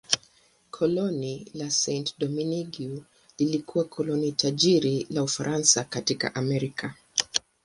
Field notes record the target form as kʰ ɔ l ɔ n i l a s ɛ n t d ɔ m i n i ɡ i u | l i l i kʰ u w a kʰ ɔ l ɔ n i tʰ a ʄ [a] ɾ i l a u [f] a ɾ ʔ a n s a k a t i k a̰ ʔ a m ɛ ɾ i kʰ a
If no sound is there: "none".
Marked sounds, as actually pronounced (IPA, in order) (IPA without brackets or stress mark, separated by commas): i, f